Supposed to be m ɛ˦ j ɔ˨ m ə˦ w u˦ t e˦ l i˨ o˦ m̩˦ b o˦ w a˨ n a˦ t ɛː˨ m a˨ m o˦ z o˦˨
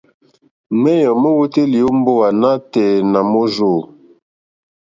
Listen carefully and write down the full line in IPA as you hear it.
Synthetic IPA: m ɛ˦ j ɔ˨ m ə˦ w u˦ t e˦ l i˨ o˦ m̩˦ b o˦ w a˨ n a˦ t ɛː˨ n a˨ m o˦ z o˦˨